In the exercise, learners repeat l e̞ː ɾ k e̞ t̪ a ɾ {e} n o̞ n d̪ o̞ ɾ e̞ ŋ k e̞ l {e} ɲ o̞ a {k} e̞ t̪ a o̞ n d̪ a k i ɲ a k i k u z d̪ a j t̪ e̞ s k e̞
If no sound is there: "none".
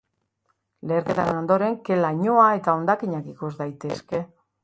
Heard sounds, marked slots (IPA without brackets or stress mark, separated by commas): e, a, none